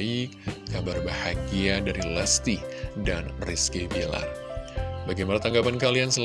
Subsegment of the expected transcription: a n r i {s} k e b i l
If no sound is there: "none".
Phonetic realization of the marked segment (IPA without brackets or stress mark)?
s